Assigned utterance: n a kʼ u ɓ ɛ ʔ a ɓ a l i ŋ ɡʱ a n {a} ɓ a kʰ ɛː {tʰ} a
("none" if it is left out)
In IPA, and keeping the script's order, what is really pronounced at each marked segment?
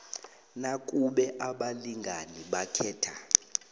i, tʰ

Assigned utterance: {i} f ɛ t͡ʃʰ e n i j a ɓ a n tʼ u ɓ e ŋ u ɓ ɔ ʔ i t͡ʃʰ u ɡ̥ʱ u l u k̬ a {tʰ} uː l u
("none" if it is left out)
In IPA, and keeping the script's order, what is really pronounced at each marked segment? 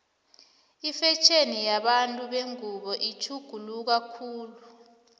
i, kʰ

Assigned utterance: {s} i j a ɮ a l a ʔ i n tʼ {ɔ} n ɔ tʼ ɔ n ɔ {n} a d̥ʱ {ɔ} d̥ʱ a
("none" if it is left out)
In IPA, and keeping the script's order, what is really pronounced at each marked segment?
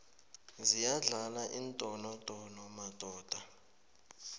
z, ɔ, m, ɔː

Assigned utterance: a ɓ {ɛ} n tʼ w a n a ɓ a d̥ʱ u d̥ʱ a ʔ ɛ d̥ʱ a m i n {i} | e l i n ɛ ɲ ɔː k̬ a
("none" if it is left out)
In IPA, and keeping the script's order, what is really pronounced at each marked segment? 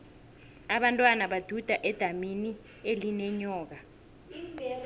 a, i

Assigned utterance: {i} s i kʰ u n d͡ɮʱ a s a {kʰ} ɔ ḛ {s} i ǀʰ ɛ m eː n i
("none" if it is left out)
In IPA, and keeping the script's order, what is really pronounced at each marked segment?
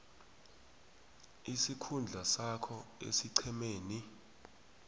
i, kʰ, s

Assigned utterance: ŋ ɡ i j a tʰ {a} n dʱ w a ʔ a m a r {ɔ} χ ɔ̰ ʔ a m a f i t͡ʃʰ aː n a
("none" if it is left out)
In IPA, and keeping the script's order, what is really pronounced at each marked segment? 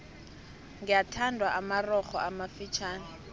a, ɔ

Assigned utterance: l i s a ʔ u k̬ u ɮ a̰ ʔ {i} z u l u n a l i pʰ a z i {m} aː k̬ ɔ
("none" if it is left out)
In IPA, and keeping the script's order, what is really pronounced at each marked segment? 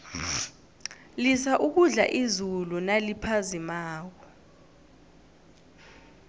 i, m

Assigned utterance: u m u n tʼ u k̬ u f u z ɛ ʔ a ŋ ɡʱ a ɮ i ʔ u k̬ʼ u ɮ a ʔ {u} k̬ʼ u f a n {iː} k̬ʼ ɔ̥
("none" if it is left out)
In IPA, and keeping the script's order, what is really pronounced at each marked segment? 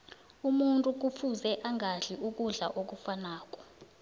o, aː

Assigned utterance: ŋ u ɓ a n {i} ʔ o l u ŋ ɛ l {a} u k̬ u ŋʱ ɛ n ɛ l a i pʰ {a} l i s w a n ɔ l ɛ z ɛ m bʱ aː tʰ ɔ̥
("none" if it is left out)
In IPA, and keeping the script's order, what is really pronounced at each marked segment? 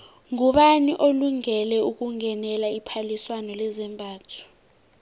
i, ɛ, a

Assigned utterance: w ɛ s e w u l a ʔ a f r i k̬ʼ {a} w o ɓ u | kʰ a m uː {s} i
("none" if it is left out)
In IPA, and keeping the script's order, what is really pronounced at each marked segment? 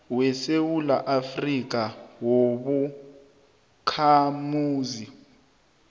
a, z

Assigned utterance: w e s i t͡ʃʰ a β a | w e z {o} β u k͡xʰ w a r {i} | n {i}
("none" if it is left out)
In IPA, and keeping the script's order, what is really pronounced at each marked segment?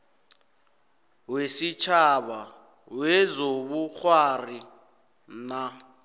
o, i, a

